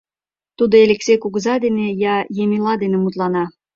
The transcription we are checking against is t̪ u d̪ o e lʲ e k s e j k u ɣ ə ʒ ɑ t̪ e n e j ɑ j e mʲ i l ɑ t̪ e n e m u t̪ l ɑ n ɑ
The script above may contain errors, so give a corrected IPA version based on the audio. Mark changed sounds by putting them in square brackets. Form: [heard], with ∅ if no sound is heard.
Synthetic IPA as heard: t̪ u d̪ o e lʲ e k s e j k u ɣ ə [z] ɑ [d̪] e n e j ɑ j e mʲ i l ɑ [d̪] e n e m u t̪ l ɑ n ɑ